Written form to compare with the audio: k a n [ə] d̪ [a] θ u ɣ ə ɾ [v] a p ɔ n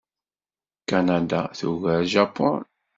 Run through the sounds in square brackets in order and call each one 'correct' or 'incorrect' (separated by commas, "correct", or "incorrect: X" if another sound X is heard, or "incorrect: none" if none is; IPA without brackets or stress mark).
incorrect: a, correct, incorrect: ʒ